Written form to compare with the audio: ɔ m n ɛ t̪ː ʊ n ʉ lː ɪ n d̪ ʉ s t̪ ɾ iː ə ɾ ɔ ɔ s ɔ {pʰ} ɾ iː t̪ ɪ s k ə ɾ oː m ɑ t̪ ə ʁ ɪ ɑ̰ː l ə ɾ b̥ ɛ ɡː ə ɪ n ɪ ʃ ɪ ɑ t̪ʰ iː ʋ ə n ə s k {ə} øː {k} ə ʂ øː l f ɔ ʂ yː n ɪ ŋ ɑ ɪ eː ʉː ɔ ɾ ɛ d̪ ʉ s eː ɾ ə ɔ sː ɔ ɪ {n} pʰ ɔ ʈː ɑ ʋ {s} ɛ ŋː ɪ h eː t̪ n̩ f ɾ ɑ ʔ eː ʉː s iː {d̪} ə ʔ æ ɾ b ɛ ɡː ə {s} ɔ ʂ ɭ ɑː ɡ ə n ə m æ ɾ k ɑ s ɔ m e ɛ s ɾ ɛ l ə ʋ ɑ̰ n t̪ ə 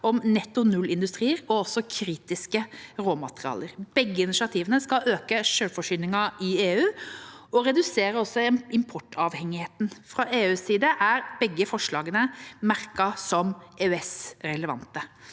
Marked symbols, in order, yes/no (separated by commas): no, no, yes, no, no, yes, no